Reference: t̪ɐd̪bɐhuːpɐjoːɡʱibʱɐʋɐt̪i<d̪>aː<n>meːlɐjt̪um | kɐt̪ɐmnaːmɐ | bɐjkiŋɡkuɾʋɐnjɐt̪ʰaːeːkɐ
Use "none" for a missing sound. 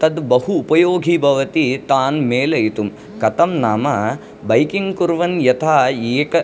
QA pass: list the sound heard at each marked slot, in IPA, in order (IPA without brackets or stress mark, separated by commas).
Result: t̪, n